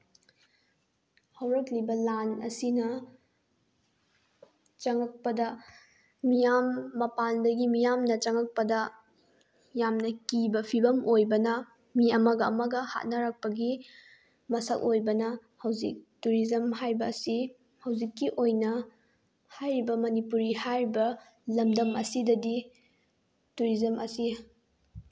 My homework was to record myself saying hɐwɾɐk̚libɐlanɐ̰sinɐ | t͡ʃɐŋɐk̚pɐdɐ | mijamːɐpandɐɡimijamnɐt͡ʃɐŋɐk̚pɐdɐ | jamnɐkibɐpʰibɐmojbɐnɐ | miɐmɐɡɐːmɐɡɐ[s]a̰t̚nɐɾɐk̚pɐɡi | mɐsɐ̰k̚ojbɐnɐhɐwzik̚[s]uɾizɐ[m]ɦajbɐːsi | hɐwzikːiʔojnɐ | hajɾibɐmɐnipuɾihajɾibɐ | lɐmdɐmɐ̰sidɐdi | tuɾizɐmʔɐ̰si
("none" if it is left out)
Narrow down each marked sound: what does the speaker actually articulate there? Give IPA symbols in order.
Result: h, t, m

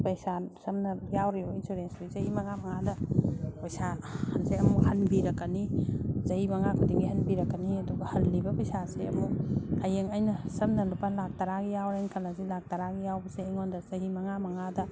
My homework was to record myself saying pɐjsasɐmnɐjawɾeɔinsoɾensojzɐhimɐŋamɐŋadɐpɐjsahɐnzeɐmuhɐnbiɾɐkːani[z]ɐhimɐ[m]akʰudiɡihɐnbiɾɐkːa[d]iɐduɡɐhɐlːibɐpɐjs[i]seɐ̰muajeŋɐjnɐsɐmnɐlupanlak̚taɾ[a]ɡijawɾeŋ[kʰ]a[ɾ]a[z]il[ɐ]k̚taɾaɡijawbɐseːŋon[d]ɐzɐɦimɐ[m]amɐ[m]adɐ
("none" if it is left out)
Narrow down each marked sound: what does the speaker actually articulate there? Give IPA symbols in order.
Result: z, ŋ, n, a, a, kʰ, l, z, a, d, ŋ, ŋ

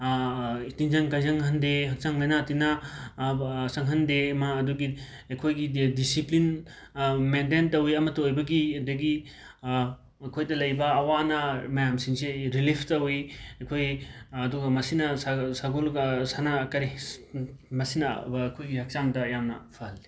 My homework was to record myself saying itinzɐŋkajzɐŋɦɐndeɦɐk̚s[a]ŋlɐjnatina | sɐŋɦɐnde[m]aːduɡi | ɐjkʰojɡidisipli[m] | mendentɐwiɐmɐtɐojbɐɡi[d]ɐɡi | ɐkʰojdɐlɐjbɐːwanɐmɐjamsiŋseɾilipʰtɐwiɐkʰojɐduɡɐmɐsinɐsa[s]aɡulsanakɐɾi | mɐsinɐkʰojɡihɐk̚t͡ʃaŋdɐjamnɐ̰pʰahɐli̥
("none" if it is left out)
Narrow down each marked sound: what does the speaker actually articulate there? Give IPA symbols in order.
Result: a, m, n, d, s

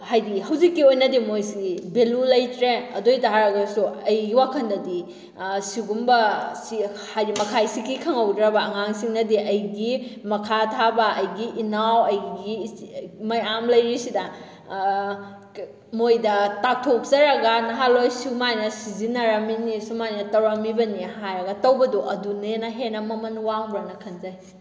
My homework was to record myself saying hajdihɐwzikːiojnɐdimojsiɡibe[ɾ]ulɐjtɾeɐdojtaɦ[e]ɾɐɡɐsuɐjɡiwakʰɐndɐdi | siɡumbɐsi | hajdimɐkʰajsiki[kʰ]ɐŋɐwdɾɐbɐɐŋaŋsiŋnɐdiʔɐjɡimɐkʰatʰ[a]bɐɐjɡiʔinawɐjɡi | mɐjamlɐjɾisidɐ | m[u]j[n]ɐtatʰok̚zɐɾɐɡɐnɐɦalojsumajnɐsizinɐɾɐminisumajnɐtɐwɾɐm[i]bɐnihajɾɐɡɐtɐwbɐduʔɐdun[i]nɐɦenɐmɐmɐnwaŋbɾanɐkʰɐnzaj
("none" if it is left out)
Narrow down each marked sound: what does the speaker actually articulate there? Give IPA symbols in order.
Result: l, a, kʰ, a, o, d, i, e

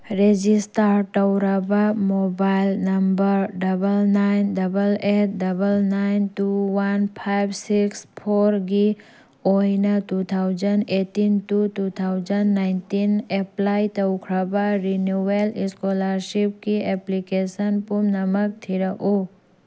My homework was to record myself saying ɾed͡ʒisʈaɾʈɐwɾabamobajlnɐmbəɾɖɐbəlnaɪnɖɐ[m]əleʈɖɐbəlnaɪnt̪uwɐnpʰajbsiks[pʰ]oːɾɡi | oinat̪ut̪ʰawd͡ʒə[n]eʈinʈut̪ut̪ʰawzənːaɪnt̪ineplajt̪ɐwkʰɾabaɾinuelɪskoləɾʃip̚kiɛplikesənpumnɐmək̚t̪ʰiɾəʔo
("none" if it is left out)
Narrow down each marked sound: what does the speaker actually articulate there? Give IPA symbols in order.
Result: b, pʰ, n

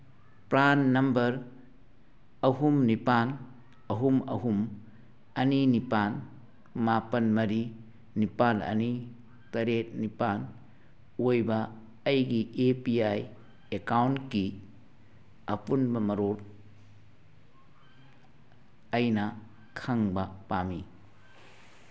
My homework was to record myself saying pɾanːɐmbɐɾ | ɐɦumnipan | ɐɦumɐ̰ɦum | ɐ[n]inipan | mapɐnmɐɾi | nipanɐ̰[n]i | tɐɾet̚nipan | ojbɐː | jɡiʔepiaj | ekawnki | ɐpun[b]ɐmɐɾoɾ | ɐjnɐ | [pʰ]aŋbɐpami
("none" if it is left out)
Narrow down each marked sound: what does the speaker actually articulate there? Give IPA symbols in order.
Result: n, n, b, kʰ

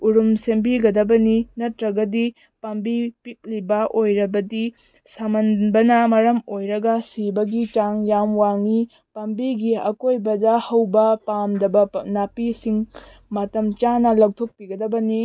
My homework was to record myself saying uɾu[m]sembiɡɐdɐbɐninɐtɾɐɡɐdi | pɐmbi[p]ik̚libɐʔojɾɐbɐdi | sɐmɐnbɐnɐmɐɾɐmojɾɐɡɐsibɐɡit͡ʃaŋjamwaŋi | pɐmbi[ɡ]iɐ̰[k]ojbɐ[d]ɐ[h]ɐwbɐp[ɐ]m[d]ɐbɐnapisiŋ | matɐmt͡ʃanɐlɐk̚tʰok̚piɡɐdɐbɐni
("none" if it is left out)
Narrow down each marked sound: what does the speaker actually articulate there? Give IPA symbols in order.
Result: m, p, ɡ, k, d, h, a, d

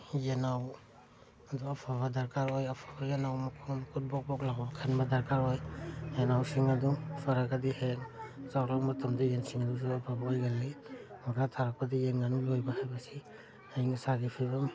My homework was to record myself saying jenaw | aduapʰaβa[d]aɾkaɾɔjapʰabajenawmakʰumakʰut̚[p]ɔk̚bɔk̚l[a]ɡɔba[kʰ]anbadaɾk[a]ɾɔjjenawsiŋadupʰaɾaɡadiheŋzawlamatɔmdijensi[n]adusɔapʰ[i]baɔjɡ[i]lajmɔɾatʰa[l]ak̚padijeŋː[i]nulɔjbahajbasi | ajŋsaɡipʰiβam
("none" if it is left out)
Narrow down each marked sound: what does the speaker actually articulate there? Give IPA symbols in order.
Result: d, b, a, kʰ, a, ŋ, a, a, ɾ, a

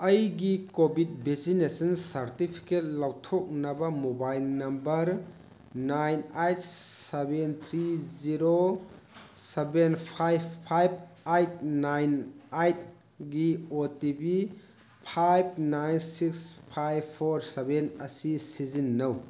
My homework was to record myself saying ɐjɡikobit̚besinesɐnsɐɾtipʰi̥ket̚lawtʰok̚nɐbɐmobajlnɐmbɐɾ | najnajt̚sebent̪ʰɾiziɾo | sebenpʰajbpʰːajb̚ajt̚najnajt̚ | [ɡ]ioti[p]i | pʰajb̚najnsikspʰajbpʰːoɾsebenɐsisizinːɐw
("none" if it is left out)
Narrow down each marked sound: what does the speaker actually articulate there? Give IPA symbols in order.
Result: ɡ, b

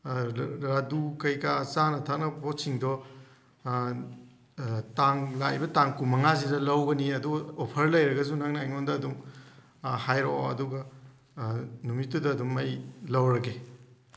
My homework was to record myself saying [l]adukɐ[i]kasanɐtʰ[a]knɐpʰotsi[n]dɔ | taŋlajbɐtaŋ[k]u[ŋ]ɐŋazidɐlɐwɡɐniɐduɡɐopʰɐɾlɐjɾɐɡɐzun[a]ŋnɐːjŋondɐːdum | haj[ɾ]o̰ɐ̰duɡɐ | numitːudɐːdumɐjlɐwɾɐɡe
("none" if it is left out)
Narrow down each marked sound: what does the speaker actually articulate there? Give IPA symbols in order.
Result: ɾ, j, a, ŋ, k, m, a, ɾ

